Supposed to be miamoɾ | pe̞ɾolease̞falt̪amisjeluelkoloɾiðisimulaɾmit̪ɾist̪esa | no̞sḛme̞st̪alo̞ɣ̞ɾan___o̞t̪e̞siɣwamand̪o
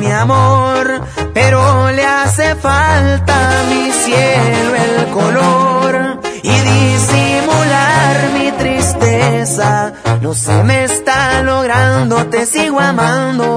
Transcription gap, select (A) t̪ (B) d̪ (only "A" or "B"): B